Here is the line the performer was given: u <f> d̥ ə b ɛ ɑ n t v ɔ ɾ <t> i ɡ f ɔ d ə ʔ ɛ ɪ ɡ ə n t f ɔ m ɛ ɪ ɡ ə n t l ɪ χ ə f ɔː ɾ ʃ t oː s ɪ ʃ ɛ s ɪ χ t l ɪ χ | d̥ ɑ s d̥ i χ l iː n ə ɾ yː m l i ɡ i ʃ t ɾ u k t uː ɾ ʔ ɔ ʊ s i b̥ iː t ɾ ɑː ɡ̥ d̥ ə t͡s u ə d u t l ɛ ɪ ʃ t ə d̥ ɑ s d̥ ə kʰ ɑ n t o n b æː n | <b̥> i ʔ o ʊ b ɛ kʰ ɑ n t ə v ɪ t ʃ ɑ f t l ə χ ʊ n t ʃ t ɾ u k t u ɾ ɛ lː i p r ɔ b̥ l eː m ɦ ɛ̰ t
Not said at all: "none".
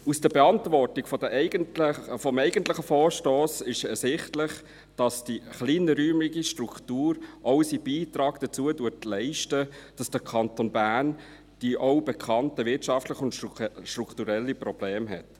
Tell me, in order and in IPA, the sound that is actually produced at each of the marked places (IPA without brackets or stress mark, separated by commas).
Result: s, t, d̥